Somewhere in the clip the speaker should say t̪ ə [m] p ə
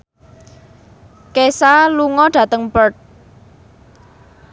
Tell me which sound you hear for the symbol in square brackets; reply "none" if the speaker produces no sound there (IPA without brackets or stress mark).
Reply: ŋ